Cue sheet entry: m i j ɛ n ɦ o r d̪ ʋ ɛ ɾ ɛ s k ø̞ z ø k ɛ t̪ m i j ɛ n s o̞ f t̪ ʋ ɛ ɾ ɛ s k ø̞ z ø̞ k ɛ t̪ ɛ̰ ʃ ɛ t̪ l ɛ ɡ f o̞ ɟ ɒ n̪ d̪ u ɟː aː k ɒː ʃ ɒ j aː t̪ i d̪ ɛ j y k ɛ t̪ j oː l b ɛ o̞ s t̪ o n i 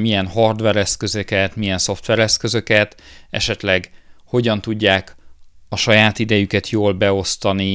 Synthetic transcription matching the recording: m i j ɛ n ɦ ɒ r d̪ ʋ ɛ ɾ ɛ s k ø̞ z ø k ɛ t̪ m i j ɛ n s o̞ f t̪ ʋ ɛ ɾ ɛ s k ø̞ z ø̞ k ɛ t̪ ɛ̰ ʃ ɛ t̪ l ɛ ɡ h o̞ ɟ ɒ n̪ t̪ u ɟː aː k ɒ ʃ ɒ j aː t̪ i d̪ ɛ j y k ɛ t̪ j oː l b ɛ o̞ s t̪ ɒ n i